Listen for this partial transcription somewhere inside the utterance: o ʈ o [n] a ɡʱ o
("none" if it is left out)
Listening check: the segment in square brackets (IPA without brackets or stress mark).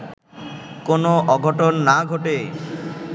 nː